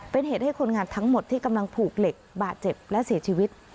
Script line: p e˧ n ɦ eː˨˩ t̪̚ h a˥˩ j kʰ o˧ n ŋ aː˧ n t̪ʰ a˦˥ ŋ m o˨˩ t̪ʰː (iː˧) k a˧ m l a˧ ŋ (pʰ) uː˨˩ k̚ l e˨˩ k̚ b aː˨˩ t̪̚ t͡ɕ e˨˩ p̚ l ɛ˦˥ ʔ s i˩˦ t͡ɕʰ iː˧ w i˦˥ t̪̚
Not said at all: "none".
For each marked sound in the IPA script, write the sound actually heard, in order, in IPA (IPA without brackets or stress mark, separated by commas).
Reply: iː˥˩, pʰ